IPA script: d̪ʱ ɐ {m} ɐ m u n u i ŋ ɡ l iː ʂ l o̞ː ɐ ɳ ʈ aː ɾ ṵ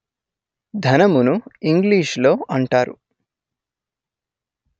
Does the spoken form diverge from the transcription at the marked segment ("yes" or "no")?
yes